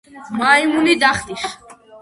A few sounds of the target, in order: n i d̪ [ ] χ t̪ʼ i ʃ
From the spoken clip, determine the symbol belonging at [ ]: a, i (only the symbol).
a